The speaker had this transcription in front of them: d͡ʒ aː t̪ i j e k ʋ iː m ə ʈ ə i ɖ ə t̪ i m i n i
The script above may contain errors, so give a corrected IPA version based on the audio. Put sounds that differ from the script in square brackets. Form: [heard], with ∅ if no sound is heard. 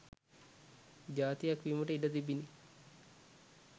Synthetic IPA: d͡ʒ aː t̪ i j [a] k ʋ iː m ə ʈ ə i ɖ ə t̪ i [b] i n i